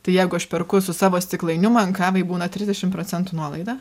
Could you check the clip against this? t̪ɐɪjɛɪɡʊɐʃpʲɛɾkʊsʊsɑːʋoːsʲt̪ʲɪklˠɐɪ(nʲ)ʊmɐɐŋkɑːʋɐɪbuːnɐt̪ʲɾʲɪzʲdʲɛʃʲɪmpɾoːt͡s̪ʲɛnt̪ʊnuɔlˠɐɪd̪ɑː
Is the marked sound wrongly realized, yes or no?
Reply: no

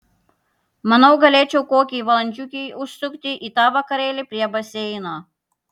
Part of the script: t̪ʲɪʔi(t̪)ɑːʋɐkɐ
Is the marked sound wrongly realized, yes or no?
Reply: no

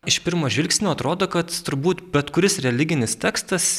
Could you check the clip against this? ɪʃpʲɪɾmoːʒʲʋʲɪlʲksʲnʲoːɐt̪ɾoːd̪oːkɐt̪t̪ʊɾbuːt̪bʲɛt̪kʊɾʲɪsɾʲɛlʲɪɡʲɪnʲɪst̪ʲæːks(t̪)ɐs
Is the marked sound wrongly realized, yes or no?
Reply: no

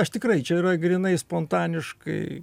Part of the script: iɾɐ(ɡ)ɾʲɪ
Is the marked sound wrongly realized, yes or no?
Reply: no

